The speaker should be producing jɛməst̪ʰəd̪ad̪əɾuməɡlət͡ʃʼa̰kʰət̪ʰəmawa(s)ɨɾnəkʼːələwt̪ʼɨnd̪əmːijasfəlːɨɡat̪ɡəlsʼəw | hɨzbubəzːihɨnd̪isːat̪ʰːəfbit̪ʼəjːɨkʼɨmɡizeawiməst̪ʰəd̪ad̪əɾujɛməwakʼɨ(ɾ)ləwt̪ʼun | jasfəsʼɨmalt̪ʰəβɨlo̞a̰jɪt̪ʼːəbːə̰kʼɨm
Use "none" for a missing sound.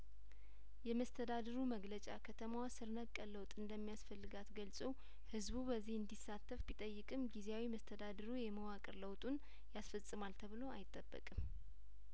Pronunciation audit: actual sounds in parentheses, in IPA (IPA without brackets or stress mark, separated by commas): s, ɾ